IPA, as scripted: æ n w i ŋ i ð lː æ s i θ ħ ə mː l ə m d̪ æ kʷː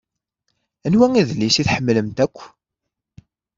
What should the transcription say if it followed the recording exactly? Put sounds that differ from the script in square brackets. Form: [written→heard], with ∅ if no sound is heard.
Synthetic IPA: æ n w [i→æ] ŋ i ð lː [æ→i] s i θ ħ ə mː l ə m [d̪→t̪] æ kʷː